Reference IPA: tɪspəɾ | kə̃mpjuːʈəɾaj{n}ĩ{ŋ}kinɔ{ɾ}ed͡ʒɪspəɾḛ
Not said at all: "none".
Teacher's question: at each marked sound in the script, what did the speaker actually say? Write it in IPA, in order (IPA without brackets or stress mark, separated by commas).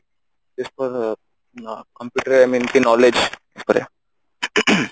m, n, l